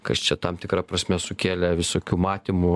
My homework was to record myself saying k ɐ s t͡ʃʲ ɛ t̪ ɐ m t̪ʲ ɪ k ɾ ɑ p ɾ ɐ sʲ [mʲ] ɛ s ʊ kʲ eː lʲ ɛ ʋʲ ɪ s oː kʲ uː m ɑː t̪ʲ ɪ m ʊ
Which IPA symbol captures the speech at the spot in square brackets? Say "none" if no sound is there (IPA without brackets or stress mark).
mʲ